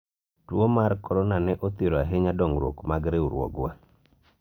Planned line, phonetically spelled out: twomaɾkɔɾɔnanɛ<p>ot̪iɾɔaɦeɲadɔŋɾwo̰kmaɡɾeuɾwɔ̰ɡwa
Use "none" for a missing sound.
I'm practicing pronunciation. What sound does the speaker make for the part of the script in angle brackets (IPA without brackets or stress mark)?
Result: ʔ